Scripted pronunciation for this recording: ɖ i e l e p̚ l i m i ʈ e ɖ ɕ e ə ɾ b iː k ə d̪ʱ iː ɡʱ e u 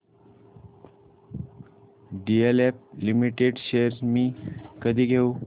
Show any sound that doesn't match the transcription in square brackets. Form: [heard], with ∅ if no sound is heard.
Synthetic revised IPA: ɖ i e l e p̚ l i m i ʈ e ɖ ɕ e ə ɾ [m] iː k ə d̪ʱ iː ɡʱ e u